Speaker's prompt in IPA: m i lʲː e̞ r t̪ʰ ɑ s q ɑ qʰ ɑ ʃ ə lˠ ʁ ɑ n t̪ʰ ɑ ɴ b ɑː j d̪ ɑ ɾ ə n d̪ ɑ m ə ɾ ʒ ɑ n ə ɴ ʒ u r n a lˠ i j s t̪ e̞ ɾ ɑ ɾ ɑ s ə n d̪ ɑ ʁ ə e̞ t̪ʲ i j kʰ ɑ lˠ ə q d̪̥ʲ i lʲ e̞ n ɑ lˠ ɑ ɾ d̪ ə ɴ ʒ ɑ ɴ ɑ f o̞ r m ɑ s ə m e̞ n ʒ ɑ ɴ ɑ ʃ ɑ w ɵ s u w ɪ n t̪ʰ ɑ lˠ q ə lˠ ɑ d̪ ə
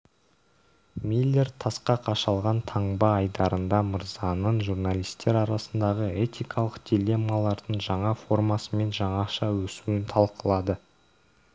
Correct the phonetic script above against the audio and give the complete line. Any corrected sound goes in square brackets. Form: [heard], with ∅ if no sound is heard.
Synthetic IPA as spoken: m i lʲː e̞ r t̪ʰ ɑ s q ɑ qʰ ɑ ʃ [ɑ] lˠ ʁ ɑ n t̪ʰ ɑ ɴ b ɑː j d̪ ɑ ɾ ə n d̪ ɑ m ə ɾ [z] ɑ n ə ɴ ʒ u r n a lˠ i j s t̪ e̞ ɾ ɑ ɾ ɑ s ə n d̪ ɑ ʁ ə e̞ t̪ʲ i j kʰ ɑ lˠ ə q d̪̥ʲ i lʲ e̞ [m] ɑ lˠ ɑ ɾ d̪ ə ɴ ʒ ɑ ɴ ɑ f o̞ r m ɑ s ə m e̞ n ʒ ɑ ɴ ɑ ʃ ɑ w ɵ s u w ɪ n t̪ʰ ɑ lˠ q ə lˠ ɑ d̪ ə

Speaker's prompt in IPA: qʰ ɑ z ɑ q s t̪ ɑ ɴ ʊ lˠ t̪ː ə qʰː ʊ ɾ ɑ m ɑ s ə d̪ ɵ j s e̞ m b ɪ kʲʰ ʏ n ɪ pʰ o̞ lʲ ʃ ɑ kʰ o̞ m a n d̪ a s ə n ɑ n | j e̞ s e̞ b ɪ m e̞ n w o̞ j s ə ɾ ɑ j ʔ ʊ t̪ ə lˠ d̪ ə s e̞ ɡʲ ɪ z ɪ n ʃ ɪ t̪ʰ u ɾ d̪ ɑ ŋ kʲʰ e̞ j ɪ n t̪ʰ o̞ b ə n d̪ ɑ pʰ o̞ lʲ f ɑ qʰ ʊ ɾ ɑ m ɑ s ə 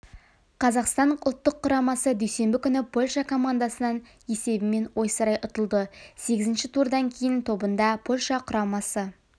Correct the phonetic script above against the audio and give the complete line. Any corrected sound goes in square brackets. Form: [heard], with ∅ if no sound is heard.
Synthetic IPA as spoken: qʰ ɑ z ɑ q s t̪ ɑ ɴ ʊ lˠ t̪ː ə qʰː ʊ ɾ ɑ m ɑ s ə d̪ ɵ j s e̞ m b ɪ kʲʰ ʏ n ɪ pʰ o̞ lʲ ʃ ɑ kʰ o̞ m a n d̪ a s ə n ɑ n | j e̞ s e̞ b ɪ m e̞ n w o̞ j s ə ɾ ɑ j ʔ ʊ t̪ ə lˠ d̪ ə s e̞ ɡʲ ɪ z ɪ n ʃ ɪ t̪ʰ u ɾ d̪ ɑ ŋ kʲʰ e̞ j ɪ n t̪ʰ o̞ b ə n d̪ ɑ pʰ o̞ lʲ [ʃ] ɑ qʰ ʊ ɾ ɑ m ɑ s ə

